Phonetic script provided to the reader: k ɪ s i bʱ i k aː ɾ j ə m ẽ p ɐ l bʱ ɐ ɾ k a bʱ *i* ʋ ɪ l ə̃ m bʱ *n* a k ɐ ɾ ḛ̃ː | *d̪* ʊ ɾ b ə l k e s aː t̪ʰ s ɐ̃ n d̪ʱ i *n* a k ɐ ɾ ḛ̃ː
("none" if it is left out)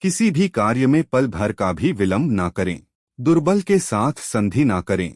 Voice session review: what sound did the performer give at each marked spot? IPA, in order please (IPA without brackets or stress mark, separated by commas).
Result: i, n, d̪, n